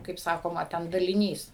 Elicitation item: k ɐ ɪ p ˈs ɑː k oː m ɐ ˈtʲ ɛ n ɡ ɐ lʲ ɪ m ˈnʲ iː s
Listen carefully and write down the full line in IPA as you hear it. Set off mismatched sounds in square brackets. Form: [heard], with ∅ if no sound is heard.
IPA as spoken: k ɐ ɪ p ˈs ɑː k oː m ɐ ˈtʲ ɛ n [d] ɐ lʲ ɪ [∅] ˈnʲ iː s